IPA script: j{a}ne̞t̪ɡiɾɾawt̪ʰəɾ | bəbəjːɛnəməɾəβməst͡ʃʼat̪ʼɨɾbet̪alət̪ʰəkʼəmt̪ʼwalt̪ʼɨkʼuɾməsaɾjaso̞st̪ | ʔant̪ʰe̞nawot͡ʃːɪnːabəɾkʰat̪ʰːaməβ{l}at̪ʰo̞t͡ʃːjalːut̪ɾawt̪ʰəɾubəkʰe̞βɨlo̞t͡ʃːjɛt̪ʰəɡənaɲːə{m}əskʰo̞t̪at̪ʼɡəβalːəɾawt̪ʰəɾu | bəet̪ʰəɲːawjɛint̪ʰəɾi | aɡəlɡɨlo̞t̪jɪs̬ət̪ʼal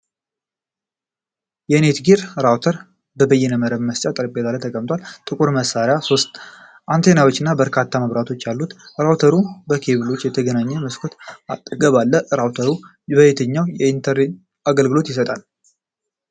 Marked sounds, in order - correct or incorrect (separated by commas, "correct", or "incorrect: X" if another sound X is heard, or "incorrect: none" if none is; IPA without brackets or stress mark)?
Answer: incorrect: ɛ, incorrect: ɾ, correct